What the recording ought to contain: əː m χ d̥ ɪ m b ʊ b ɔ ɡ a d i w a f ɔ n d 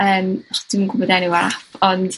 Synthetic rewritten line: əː m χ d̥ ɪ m ɡ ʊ b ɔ d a n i w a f ɔ n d